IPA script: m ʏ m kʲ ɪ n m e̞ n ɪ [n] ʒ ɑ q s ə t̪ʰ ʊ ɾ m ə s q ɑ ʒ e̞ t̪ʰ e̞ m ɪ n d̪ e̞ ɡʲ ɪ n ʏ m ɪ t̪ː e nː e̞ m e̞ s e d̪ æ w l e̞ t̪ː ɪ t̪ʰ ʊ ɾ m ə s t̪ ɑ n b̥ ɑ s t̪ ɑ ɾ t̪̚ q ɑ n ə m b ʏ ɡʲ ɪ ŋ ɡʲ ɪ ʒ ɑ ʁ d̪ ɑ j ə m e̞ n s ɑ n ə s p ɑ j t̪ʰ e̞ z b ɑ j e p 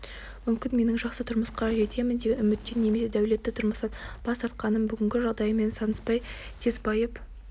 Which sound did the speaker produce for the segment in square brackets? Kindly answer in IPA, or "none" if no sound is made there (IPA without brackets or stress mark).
ŋ